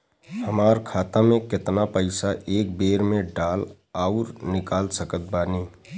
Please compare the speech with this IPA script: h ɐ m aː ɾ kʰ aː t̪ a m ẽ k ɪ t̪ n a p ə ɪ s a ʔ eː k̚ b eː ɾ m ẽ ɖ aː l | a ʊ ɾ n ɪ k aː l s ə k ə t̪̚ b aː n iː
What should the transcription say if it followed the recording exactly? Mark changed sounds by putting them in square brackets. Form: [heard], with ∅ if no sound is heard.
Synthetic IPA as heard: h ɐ m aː ɾ kʰ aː t̪ a m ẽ k ɪ t̪ n a p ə ɪ s a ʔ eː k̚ b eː ɾ m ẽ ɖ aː l | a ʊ ɾ n ɪ k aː l s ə k ə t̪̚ b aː n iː